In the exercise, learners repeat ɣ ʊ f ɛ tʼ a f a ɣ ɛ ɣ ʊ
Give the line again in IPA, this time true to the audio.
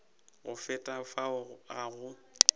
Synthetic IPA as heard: ɣ ʊ f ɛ tʼ a f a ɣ a ɣ ʊ

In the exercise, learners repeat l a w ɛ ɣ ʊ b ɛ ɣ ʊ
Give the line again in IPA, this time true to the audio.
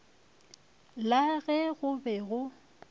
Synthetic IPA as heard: l a ɣ ɛ ɣ ʊ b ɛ ɣ ʊ

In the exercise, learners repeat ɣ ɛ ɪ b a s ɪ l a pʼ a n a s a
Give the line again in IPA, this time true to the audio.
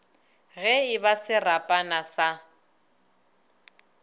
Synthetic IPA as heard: ɣ ɛ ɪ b a s ɪ r a pʼ a n a s a

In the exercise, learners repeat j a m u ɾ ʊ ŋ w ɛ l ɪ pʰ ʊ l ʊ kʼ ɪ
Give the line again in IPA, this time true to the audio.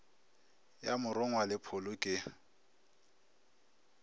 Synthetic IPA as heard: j a m ʊ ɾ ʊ ŋ w a l ɪ pʰ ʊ l ʊ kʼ ɪ

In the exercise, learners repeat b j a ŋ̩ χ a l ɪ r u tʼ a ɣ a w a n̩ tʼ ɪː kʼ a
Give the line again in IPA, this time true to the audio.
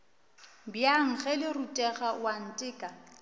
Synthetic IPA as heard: b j a ŋ̩ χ ɛ l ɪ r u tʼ ɛ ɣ a w a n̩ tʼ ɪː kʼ a

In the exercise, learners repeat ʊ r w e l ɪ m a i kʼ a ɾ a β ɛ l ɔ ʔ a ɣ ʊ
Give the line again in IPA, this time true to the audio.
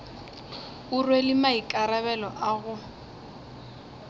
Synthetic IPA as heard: ʊ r w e l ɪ m a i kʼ a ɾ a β ɛ l ɔ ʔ a ɣ ʊ

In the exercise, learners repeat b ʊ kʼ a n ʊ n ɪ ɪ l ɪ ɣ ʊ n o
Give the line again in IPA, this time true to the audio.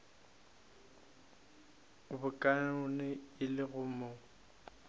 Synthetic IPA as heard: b ʊ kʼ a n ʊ n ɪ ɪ l ɪ ɣ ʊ m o

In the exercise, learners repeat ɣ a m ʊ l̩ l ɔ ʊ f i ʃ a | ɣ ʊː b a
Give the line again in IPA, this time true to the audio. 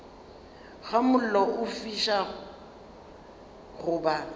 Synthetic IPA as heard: ɣ a m ʊ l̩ l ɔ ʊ f i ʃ a | ɣ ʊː b a

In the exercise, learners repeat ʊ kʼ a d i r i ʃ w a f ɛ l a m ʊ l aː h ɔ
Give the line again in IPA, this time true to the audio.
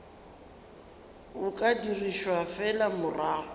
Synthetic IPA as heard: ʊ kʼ a d i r i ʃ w a f ɛ l a m ʊ r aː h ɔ

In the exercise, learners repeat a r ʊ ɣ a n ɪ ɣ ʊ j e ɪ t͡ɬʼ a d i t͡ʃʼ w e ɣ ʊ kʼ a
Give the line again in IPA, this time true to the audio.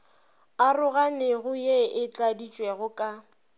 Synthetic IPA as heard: a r ʊ ɣ a n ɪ ɣ ʊ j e ɪ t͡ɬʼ a d i t͡ʃʼ w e ɣ ʊ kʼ a

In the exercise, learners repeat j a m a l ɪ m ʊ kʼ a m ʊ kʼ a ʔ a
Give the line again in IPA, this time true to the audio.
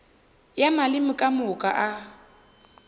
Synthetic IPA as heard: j a m a l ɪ m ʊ kʼ a m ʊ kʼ a ʔ a

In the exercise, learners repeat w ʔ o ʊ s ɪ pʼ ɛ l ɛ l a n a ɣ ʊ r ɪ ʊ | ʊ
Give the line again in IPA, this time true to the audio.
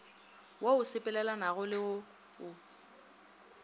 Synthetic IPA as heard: w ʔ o ʊ s ɪ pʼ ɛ l ɛ l a n a ɣ ʊ l ɪ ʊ | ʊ

